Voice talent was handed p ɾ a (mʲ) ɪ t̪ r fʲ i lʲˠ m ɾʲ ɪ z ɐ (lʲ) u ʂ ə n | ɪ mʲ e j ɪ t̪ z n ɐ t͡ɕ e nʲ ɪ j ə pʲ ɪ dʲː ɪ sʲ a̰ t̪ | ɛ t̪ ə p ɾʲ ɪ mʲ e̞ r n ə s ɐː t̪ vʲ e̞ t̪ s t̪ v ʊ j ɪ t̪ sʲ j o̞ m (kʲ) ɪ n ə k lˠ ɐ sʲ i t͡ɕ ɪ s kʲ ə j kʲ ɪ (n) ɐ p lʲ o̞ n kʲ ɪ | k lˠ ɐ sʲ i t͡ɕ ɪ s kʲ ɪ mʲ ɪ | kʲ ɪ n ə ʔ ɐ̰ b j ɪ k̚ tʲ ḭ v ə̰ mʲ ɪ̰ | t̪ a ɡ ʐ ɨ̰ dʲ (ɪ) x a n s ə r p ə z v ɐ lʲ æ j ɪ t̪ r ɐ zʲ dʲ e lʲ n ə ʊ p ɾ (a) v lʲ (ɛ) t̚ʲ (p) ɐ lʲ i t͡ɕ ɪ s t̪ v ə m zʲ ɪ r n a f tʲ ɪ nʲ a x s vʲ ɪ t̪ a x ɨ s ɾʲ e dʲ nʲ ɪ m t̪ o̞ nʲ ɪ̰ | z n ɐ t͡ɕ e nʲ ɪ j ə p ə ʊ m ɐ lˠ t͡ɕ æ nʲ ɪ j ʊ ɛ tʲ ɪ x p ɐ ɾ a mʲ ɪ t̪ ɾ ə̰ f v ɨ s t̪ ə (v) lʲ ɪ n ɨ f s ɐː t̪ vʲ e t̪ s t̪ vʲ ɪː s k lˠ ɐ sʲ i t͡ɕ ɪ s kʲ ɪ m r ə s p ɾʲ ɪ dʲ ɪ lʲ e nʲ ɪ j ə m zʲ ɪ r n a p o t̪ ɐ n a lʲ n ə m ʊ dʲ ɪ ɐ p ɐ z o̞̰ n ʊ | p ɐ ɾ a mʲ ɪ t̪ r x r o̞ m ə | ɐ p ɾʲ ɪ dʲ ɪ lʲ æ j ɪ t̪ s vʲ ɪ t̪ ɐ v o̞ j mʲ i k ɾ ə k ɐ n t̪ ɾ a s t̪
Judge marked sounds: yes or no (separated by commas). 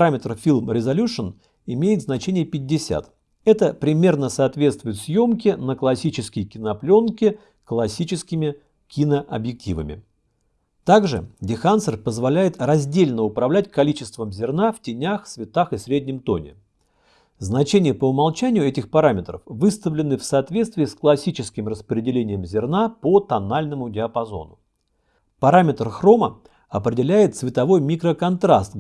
yes, yes, yes, yes, yes, no, no, no, yes